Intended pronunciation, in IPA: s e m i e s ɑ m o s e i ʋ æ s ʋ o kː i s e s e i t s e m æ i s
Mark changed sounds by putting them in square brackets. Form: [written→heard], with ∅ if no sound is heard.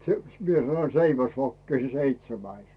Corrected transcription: s e m i e s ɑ [m→n] o s e i ʋ æ s ʋ o kː i s e s e i t s e m æ i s